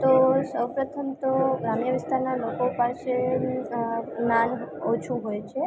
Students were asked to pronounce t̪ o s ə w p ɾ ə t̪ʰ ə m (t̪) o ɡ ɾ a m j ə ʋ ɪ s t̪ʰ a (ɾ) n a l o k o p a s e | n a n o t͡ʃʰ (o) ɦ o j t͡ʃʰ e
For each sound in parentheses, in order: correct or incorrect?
correct, correct, incorrect

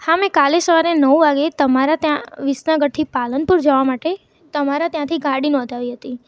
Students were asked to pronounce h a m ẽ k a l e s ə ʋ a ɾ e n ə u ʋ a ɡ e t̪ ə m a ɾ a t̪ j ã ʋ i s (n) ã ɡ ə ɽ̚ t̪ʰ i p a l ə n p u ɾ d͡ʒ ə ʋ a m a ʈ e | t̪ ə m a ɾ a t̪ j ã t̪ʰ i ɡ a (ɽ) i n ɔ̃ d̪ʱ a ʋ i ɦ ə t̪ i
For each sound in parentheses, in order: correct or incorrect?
correct, correct

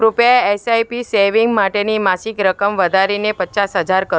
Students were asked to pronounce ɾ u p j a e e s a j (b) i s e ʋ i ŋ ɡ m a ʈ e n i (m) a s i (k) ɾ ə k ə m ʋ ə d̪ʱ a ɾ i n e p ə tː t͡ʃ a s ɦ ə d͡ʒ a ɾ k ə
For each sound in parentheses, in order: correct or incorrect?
incorrect, correct, correct

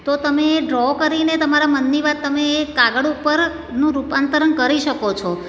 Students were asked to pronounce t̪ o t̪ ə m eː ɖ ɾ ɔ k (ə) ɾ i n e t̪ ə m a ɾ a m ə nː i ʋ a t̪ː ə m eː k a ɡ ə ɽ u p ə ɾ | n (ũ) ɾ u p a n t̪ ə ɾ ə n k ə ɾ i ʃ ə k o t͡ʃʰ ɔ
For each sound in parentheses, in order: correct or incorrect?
correct, correct

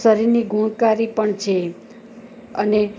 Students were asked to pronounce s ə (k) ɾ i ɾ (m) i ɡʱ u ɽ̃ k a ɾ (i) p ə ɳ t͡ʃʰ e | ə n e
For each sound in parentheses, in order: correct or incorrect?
incorrect, incorrect, correct

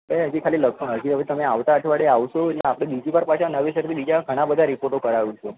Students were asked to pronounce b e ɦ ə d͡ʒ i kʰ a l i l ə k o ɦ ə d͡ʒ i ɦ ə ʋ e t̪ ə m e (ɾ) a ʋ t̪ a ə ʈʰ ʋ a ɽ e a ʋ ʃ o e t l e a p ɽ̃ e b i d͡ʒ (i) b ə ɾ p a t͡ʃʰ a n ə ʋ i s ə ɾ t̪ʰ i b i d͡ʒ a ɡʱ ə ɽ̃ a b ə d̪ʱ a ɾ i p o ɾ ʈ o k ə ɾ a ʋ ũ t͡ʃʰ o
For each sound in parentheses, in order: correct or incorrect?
incorrect, correct

